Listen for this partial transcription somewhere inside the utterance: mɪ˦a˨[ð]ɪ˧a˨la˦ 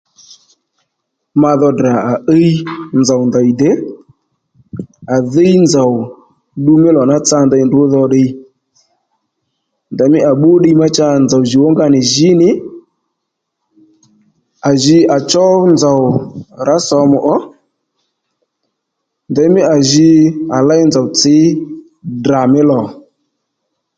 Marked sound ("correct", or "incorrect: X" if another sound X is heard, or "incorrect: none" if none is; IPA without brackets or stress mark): incorrect: ʒ